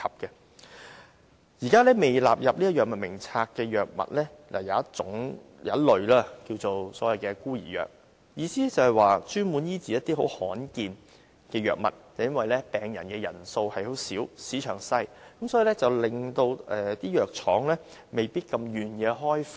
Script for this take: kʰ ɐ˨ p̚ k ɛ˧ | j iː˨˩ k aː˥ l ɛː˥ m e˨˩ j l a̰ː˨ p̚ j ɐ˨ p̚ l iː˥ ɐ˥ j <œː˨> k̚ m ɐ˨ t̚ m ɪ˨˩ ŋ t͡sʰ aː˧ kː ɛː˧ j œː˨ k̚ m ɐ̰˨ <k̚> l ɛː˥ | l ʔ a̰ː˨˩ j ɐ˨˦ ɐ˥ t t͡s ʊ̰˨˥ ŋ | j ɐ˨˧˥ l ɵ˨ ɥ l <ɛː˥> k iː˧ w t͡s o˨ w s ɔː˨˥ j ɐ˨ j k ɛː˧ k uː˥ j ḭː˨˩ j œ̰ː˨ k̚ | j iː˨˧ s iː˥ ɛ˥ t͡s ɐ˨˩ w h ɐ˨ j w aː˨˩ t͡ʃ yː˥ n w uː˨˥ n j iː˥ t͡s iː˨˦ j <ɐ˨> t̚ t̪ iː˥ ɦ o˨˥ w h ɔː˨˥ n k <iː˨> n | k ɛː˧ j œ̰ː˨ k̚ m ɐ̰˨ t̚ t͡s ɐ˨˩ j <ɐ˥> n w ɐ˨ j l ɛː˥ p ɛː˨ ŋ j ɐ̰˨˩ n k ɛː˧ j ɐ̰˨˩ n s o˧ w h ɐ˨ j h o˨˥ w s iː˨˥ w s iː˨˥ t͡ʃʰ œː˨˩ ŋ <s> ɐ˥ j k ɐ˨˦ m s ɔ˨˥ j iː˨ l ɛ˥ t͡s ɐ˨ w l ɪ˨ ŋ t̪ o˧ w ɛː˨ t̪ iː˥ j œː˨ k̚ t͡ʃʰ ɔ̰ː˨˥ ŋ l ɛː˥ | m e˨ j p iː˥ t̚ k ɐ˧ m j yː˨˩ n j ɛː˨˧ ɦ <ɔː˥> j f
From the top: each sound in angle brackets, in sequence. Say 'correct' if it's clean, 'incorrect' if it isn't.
correct, incorrect: t̚, incorrect: aː˥, incorrect: ɐ˥, correct, correct, correct, correct

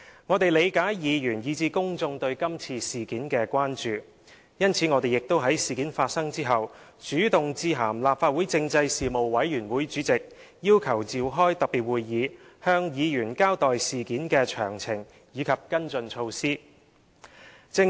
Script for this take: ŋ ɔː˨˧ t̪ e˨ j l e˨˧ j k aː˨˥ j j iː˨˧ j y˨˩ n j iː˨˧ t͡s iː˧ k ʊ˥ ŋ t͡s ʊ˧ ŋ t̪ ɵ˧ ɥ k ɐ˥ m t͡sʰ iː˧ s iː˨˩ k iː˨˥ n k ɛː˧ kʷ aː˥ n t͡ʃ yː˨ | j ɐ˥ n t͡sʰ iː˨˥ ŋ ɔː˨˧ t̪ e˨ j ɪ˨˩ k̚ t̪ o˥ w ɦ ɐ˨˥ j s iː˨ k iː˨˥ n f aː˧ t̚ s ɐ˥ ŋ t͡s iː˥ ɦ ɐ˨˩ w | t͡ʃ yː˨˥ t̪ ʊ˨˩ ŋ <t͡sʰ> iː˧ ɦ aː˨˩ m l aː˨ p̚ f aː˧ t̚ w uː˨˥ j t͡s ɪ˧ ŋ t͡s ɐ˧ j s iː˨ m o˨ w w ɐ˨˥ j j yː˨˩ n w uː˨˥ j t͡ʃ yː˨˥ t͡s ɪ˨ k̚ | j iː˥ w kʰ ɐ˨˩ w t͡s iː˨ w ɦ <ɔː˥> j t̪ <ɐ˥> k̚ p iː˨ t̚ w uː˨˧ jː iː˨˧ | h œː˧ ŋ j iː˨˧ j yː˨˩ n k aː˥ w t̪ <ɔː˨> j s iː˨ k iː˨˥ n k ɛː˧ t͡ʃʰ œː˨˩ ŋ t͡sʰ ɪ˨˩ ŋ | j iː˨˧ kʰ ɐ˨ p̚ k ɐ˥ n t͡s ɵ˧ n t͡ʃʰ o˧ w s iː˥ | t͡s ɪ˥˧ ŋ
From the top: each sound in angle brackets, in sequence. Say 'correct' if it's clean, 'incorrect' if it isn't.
incorrect: t͡s, correct, incorrect: ɐ˨, correct

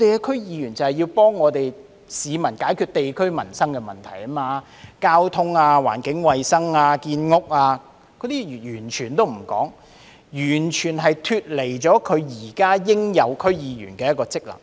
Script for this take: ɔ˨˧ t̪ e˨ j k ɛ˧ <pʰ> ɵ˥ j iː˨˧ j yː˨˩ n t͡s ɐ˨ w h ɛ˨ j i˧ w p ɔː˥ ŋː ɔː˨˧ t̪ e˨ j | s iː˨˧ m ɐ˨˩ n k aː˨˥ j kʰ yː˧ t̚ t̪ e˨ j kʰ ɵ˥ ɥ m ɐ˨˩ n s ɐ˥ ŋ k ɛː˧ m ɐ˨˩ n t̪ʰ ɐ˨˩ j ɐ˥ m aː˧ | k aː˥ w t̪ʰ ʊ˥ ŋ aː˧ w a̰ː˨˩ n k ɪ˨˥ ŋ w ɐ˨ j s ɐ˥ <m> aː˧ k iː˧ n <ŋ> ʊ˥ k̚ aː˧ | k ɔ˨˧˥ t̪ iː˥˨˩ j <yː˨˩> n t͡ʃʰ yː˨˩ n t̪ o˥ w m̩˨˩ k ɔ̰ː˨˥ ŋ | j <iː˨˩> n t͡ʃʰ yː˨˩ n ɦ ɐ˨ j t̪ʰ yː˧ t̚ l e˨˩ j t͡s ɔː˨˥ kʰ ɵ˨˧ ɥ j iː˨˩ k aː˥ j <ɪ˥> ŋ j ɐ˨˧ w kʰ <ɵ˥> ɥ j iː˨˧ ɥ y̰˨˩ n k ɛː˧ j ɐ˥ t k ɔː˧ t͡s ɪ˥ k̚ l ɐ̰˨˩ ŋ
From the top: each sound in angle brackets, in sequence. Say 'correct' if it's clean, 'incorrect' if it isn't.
incorrect: kʰ, incorrect: ŋ, correct, correct, incorrect: yː˨˩, correct, correct

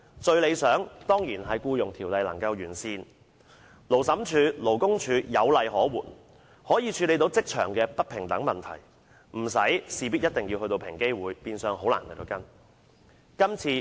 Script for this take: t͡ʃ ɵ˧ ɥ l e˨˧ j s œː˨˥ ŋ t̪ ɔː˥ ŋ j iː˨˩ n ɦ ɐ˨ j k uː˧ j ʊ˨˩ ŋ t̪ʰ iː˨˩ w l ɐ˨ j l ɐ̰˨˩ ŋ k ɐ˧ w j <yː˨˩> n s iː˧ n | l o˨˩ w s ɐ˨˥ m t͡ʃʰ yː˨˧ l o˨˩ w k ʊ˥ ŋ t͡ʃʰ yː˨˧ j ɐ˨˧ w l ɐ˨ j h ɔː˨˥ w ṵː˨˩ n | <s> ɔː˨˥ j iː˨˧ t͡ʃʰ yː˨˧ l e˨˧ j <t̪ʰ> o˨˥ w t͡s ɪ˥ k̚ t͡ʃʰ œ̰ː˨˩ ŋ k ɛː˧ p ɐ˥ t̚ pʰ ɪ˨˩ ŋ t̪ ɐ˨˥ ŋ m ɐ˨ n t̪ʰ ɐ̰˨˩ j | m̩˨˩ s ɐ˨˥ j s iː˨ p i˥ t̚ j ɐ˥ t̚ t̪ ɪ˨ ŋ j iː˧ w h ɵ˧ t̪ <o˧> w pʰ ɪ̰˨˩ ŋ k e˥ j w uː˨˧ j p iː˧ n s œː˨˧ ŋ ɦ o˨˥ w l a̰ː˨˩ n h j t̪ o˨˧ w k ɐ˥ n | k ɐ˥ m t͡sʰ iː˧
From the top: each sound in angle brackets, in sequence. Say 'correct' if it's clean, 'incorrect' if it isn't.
correct, incorrect: h, incorrect: t̪, correct

